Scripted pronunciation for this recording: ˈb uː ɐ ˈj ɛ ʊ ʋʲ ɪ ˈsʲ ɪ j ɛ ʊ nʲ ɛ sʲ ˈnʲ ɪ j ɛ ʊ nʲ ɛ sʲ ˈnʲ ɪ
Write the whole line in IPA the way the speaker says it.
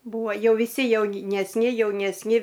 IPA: ˈb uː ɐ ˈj ɛ ʊ ʋʲ ɪ ˈsʲ ɪ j ɛ ʊ nʲ ɛ sʲ ˈnʲ ɪ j ɛ ʊ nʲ ɛ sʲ ˈnʲ ɪ